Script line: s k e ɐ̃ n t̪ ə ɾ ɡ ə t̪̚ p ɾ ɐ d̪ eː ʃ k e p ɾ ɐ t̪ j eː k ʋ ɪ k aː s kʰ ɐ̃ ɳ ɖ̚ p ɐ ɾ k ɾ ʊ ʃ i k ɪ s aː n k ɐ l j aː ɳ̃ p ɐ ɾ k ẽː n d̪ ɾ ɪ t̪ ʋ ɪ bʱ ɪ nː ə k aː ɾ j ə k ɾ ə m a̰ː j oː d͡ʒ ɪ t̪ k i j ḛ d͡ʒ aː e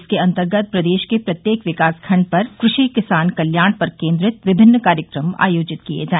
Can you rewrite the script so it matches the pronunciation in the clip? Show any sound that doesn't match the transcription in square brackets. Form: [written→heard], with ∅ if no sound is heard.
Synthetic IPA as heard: s k e ɐ̃ n t̪ ə ɾ ɡ ə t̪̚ p ɾ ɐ d̪ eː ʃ k e p ɾ ɐ t̪ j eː k ʋ ɪ k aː s kʰ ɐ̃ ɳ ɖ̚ p ɐ ɾ k ɾ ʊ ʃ i k ɪ s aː n k ɐ l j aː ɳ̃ p ɐ ɾ k ẽː n d̪ ɾ ɪ t̪ ʋ ɪ bʱ ɪ nː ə k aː ɾ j ə k ɾ ə m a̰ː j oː d͡ʒ ɪ t̪ k i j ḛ d͡ʒ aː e